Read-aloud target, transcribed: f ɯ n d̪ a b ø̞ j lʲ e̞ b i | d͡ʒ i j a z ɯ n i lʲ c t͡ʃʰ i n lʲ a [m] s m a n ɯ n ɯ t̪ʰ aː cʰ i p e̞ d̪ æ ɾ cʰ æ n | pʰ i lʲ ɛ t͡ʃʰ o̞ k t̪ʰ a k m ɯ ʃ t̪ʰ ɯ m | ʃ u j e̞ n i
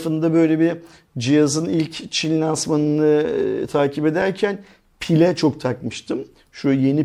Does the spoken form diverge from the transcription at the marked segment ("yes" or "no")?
yes